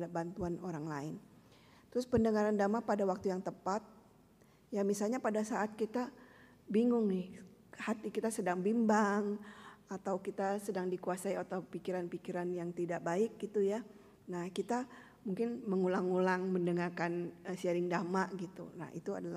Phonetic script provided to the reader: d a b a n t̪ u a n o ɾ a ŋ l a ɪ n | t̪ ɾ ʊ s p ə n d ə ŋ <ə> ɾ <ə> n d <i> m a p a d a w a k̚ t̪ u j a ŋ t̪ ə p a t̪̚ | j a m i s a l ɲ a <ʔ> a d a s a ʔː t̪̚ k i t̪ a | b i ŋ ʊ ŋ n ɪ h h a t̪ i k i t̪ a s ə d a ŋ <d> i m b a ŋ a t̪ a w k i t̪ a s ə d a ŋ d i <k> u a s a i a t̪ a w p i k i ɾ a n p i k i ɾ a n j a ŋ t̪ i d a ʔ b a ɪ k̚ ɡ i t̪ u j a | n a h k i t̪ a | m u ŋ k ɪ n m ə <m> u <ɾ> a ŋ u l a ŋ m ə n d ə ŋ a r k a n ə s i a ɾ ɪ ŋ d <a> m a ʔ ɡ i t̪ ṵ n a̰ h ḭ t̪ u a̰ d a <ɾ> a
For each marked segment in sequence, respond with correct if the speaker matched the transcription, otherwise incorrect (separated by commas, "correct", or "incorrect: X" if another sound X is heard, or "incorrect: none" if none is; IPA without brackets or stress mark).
incorrect: a, incorrect: a, incorrect: a, incorrect: p, incorrect: b, correct, incorrect: ŋ, incorrect: l, correct, incorrect: l